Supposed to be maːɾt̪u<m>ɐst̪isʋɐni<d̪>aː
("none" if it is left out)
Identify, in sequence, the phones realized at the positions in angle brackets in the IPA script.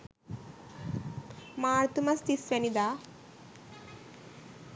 m, d̪

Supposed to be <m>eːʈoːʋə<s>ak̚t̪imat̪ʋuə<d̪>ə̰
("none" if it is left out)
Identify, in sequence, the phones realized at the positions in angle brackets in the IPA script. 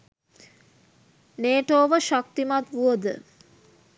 n, ʃ, d̪

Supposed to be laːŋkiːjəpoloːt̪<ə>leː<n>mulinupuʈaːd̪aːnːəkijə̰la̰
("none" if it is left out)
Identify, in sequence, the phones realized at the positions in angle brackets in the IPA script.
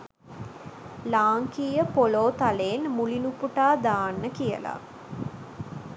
a, n

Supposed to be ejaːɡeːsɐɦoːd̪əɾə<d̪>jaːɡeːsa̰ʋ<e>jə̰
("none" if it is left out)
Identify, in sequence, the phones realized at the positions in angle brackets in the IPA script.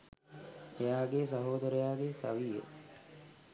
none, i

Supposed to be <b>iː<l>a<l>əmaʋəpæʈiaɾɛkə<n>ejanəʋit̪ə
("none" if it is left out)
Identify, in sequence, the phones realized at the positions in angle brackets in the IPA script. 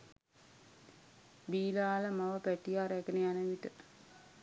b, l, l, n

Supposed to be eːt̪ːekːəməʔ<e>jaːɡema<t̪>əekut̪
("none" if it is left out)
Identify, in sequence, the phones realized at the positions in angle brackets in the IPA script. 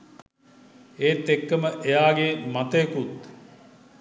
e, t̪

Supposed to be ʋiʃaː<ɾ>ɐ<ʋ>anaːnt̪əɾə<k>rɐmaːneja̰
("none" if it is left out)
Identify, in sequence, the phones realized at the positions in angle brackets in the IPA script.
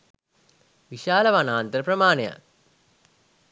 l, ʋ, p

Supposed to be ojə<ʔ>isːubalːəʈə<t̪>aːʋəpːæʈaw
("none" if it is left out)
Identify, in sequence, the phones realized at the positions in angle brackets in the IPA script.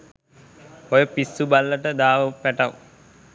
p, d̪

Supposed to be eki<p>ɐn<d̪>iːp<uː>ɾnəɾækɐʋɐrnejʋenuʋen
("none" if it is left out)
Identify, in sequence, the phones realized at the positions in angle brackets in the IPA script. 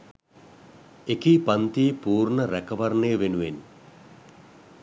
p, t̪, uː

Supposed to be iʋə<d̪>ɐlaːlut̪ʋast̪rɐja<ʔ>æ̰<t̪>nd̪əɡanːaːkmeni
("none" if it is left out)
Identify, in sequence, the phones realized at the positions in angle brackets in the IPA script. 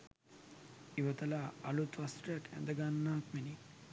t̪, k, none

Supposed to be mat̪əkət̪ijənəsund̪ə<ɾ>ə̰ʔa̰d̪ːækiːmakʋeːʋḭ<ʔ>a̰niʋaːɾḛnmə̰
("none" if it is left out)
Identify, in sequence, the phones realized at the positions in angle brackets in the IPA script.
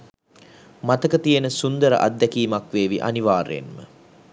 ɾ, ʔ

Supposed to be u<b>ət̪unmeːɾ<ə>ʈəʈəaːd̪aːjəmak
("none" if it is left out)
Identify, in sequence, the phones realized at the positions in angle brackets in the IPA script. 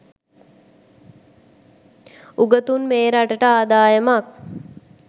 ɡ, a

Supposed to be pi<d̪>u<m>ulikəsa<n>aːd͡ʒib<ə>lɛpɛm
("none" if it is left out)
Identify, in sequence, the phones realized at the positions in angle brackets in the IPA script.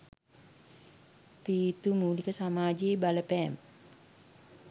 t̪, m, m, a

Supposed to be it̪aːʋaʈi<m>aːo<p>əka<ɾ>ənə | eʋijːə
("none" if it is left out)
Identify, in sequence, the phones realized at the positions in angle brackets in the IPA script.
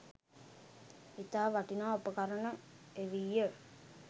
n, p, ɾ

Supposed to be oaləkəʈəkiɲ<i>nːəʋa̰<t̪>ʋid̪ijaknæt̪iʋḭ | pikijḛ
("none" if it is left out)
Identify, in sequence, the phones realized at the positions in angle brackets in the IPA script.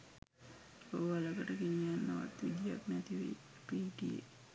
a, t̪

